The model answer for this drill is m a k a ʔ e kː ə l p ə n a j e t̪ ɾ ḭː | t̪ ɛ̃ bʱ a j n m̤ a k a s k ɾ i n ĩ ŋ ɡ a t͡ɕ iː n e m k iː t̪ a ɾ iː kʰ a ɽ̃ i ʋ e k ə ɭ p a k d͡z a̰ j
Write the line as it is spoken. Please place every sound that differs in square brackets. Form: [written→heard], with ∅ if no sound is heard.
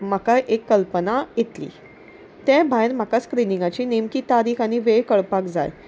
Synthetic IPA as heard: m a k a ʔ e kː ə l p ə n a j e t̪ [ɾ→l] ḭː | t̪ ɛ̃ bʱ a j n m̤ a k a s k ɾ i n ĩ ŋ ɡ a t͡ɕ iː n e m k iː t̪ a ɾ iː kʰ a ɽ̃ i ʋ e k ə ɭ p a k d͡z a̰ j

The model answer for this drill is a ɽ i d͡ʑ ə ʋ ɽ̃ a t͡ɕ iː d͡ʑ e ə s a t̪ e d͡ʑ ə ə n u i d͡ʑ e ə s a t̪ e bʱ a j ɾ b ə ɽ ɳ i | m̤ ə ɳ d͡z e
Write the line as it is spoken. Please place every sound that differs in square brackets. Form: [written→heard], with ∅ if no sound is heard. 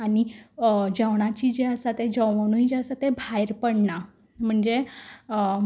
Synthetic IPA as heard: a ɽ i d͡ʑ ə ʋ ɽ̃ a t͡ɕ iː d͡ʑ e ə s a t̪ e d͡ʑ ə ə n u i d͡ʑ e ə s a t̪ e bʱ a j ɾ [b→p] ə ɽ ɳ [i→a] | m̤ ə ɳ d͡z e

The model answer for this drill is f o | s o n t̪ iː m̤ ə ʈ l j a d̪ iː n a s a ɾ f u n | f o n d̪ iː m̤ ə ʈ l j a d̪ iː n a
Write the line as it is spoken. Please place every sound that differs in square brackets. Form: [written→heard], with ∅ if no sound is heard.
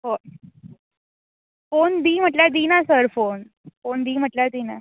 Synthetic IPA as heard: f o | [s→f] o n [t̪→d̪] iː m̤ ə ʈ l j a d̪ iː n a s [a→ə] ɾ f [u→o] n | f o n d̪ iː m̤ ə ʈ l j a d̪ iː n a

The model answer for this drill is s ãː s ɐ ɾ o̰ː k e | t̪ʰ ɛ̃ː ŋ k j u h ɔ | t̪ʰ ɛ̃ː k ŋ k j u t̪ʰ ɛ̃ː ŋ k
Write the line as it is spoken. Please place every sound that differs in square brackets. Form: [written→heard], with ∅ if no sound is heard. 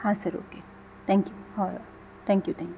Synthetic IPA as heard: [s→h] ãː s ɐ ɾ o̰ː k e | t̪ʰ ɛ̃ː ŋ k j u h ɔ | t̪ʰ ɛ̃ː [k→∅] ŋ k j u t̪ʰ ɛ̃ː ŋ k

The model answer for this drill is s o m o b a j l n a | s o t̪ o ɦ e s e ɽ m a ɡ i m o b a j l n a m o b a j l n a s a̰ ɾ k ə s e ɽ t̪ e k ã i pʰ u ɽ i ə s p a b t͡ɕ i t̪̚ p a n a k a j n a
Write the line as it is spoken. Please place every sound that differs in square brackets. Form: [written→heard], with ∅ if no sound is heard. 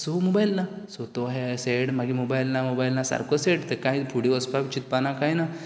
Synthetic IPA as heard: s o m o b a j l n a | s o t̪ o ɦ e s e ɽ m a ɡ i m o b a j l n a m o b a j l n a s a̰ ɾ k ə s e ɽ t̪ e k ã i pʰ u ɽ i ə s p a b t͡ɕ i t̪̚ p a n a k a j n a

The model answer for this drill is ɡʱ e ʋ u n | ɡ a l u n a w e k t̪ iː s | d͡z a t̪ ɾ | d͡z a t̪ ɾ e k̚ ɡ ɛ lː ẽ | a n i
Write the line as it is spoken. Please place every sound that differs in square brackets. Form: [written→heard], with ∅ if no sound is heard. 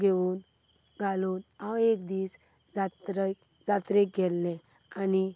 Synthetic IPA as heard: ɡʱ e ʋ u n | ɡ a l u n a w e k [t̪→d̪] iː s | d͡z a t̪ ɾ | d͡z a t̪ ɾ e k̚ ɡ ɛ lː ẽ | a n i

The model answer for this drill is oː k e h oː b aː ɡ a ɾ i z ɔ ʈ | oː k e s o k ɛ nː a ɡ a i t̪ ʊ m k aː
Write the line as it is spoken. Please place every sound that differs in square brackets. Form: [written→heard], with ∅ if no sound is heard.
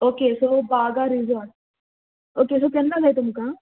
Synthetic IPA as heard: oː k e [h→s] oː b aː ɡ a ɾ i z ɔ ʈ | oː k e s o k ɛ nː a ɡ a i t̪ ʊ m k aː

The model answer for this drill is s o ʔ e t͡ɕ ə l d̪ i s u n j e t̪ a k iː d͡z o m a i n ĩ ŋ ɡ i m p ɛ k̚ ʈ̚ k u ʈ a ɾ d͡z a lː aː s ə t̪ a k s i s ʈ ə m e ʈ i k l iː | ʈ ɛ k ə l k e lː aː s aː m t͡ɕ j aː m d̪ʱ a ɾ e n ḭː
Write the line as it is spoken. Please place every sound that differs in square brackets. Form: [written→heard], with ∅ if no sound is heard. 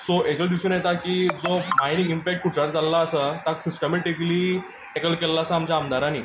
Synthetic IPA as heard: s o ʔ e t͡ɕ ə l d̪ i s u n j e t̪ a k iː d͡z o m a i n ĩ ŋ ɡ i m p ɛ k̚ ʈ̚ k u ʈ a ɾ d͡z a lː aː s ə t̪ a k s i s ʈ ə m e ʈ i k l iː | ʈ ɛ k ə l k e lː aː s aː m t͡ɕ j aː m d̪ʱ a ɾ [e→a] n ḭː

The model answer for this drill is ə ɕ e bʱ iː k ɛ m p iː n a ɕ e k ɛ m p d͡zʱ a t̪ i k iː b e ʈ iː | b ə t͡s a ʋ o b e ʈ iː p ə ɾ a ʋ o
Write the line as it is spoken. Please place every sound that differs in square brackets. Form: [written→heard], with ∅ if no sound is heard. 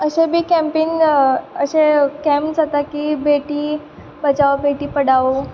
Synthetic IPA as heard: ə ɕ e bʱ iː k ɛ m p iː n [a→ə] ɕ e k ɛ m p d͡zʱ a t̪ [i→a] k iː b e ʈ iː | b ə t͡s a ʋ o b e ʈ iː p ə [ɾ→ɽ] a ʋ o

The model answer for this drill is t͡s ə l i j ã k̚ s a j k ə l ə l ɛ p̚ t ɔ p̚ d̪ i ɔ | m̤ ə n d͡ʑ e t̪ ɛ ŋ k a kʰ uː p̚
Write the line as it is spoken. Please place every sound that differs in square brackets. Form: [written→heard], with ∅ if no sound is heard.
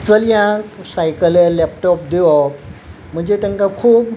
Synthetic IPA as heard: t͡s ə l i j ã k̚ s a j k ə l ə l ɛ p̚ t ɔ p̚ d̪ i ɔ | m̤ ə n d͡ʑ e t̪ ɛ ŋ k a kʰ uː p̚

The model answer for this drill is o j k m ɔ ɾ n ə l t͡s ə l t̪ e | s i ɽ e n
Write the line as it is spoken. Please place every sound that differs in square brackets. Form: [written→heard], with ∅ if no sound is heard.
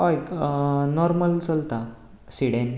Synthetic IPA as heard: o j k [m→n] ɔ ɾ [n→m] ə l t͡s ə l t̪ [e→a] | s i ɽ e n

